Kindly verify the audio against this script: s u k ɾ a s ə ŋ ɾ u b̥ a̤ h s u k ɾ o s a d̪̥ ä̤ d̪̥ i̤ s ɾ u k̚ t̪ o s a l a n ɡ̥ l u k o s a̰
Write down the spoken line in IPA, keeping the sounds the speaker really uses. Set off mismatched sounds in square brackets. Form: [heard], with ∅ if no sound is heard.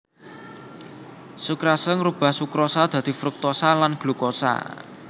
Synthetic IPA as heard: s u k ɾ a s ə ŋ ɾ u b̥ a̤ h s u k ɾ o s a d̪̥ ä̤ d̪̥ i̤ [f] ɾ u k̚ t̪ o s a l a n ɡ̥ l u k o s a̰